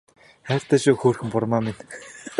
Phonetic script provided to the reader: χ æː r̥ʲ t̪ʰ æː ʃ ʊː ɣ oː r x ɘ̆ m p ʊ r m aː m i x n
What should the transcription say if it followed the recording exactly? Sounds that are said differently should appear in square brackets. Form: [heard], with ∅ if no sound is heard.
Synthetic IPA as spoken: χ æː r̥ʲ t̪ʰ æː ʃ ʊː [x] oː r x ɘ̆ m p ʊ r m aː m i [∅] n